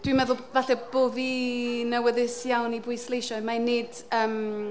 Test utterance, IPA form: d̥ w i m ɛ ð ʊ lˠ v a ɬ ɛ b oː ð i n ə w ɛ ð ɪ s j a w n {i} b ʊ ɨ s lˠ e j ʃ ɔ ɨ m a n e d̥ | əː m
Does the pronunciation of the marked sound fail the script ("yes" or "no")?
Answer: no